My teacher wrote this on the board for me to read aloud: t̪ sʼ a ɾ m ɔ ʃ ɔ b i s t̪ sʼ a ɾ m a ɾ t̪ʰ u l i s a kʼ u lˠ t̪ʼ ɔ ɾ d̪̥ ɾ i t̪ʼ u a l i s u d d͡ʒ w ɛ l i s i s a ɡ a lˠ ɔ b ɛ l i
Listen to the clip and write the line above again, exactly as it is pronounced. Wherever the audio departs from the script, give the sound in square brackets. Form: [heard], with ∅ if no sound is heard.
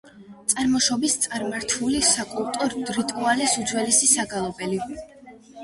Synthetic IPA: t̪ sʼ a ɾ m ɔ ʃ ɔ b i s t̪ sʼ a ɾ m a ɾ t̪ʰ u l i s a kʼ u lˠ t̪ʼ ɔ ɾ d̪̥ ɾ i t̪ʼ u a l i s u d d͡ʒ w ɛ l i s i s a ɡ a lˠ ɔ b ɛ l i